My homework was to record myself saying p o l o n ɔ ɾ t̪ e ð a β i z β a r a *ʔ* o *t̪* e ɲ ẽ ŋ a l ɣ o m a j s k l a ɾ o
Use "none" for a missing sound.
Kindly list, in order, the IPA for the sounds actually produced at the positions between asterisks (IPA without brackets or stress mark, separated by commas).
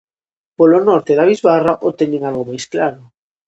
ʔ, t̪